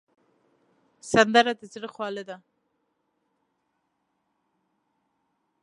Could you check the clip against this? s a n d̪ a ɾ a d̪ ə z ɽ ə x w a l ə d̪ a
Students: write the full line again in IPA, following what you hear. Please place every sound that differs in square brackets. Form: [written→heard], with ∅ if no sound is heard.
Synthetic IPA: s a n d̪ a ɾ a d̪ ə z ɽ ə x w [a→ɑ] l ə d̪ a